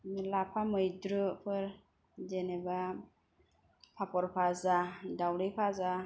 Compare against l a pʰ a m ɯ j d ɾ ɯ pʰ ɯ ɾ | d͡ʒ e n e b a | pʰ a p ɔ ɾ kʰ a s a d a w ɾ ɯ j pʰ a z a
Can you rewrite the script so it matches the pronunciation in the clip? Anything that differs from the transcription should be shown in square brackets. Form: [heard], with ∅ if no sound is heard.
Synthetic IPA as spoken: l a pʰ a m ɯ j d ɾ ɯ pʰ ɯ ɾ | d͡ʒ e n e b a | pʰ a p ɔ ɾ [pʰ] a [z] a d a w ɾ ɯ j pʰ a z a